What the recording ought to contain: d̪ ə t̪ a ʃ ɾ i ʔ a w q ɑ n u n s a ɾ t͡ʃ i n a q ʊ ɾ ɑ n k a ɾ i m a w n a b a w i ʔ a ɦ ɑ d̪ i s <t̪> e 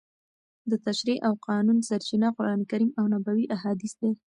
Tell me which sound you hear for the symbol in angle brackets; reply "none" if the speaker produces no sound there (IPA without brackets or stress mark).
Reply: d̪